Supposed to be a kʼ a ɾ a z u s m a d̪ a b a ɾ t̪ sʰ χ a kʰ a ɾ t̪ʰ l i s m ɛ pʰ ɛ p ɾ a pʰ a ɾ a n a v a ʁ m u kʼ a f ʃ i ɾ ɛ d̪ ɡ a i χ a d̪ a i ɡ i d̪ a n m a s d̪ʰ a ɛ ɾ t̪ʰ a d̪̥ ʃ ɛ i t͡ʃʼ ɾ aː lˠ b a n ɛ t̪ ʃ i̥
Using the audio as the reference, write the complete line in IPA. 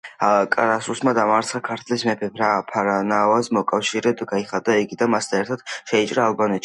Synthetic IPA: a kʼ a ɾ a s u s m a d̪ a m a ɾ t̪ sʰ χ a kʰ a ɾ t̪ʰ l i s m ɛ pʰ ɛ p ɾ a pʰ a ɾ a n a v a z m ɔ kʼ a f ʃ i ɾ ɛ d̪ ɡ a i χ a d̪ a i ɡ i d̪ a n m a s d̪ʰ a ɛ ɾ t̪ʰ a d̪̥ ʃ ɛ i t͡ʃʼ ɾ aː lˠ b a n ɛ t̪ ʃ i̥